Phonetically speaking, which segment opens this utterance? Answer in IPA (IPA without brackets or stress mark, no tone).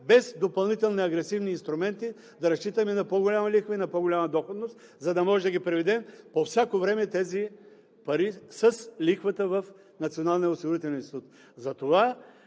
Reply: b